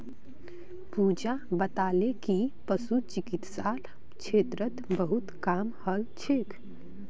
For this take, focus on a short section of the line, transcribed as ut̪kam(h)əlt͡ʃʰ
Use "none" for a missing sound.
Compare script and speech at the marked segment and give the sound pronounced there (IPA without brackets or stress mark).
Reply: h